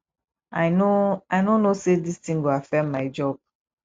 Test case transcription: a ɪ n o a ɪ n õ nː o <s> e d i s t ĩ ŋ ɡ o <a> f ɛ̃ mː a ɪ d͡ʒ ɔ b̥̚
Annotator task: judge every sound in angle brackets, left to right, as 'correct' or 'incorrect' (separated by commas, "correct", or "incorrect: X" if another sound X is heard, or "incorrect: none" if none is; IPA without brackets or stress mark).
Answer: correct, correct